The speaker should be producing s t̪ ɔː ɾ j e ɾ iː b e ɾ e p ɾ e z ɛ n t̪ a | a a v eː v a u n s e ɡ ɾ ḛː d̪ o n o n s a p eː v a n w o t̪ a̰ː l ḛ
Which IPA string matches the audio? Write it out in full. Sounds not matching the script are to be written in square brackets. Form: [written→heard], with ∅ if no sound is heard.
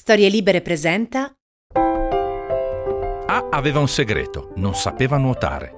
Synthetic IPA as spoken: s t̪ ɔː ɾ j e [ɾ→l] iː b e ɾ e p ɾ e z ɛ n t̪ a | a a v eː v a u n s e ɡ ɾ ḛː [d̪→t̪] o n o n s a p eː v a n w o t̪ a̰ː [l→ɾ] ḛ